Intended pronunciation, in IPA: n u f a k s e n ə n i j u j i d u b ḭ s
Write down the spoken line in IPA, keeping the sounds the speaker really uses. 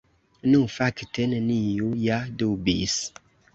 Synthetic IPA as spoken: n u f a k t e n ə n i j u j a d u b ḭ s